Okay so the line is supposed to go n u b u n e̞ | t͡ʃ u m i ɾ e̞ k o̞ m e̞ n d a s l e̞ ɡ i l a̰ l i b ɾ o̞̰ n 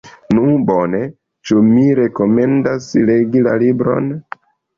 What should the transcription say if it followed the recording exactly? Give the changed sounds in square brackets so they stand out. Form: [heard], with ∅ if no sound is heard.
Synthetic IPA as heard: n u b [o] n e̞ | t͡ʃ u m i ɾ e̞ k o̞ m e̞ n d a s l e̞ ɡ i l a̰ l i b ɾ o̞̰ n